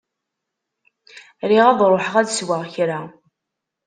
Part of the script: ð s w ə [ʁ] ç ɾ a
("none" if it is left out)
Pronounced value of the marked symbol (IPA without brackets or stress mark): ʁ